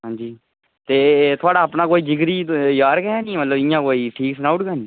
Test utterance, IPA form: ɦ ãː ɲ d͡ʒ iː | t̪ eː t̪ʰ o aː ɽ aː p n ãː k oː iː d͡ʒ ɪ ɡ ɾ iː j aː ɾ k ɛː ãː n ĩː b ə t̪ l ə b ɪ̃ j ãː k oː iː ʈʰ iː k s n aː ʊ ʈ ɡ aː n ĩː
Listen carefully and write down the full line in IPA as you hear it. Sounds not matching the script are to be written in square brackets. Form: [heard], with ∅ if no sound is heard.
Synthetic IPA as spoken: ɦ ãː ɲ d͡ʒ iː | t̪ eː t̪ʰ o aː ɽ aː p n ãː k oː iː d͡ʒ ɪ ɡ ɾ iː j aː ɾ k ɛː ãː n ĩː [m] ə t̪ l ə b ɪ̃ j ãː k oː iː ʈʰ iː k s n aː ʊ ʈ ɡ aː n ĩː